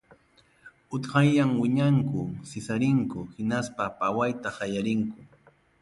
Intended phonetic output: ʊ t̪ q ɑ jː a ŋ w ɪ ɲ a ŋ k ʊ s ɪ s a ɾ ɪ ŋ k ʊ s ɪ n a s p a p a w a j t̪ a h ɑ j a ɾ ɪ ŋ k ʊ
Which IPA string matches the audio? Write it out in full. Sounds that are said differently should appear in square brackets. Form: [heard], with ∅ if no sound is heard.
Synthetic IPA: ʊ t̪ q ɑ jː a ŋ w ɪ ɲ a ŋ k ʊ s ɪ s a ɾ ɪ ŋ k ʊ [h] ɪ n a s p a p a w a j t̪ a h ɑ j a ɾ ɪ ŋ k ʊ